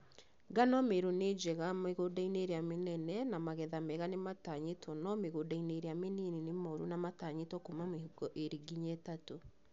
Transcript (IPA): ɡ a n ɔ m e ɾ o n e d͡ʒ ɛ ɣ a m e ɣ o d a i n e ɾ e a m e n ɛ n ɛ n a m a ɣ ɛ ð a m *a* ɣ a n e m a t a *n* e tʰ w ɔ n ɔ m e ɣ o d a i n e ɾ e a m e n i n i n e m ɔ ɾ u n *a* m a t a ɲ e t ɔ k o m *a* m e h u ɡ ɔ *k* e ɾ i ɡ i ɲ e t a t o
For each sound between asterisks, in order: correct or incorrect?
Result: incorrect, incorrect, correct, correct, incorrect

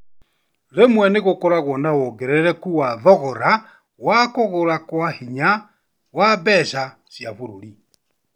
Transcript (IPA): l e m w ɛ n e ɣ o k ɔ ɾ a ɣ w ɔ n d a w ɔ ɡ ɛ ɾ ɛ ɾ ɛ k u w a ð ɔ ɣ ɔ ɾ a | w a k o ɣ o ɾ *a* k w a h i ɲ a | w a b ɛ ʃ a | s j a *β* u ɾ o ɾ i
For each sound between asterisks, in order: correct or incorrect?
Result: correct, correct

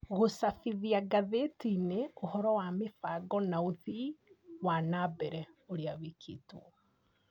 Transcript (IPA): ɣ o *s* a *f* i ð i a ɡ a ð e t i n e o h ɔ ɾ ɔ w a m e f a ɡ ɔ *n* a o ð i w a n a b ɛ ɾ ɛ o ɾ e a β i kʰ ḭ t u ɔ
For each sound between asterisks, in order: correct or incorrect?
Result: correct, correct, correct

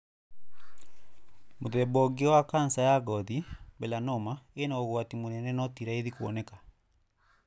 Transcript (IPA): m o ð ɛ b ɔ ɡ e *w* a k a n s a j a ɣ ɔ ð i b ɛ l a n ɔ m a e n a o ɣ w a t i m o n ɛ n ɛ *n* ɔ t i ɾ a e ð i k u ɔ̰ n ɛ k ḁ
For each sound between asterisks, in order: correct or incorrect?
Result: correct, correct

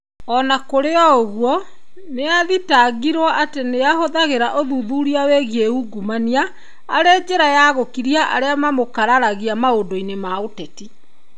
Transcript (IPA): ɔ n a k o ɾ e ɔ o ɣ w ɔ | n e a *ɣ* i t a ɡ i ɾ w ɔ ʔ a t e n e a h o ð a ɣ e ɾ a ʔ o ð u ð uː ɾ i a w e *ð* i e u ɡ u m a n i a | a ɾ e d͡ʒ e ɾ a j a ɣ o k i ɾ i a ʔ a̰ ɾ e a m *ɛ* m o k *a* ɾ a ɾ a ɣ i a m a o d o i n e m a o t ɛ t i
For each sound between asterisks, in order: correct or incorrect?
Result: incorrect, incorrect, incorrect, correct

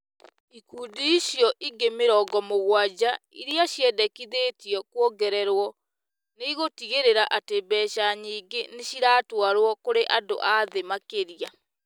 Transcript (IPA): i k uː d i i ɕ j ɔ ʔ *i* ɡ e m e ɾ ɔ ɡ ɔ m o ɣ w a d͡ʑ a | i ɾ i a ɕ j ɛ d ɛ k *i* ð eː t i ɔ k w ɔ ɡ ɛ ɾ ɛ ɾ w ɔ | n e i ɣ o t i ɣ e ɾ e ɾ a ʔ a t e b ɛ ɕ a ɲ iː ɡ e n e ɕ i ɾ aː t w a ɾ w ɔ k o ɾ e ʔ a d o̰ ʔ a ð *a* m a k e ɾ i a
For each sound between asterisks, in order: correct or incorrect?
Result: correct, correct, incorrect

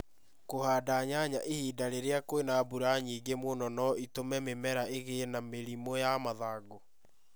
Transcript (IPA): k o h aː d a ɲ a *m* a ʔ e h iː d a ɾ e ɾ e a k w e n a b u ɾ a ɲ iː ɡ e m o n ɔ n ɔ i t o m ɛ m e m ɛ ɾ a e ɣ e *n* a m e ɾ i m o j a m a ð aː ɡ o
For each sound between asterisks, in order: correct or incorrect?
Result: incorrect, correct

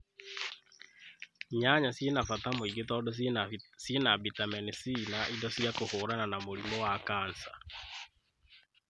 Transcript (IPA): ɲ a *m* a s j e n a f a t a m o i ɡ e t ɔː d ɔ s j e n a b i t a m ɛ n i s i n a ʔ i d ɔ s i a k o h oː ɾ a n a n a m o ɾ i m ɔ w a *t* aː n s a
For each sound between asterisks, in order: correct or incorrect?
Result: incorrect, incorrect

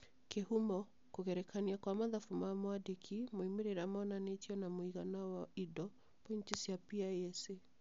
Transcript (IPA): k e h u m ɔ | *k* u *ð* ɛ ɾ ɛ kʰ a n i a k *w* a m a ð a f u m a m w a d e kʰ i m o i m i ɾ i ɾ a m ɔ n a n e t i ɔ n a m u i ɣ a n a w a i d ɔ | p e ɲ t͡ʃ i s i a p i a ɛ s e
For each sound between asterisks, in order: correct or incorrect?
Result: correct, incorrect, correct

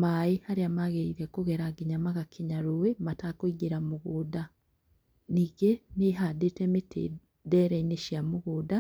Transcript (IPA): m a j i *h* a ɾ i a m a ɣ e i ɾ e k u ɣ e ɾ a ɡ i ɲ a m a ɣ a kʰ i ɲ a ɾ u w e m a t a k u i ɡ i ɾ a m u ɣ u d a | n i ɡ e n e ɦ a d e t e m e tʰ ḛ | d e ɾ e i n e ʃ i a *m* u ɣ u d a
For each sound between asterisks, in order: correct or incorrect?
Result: correct, correct

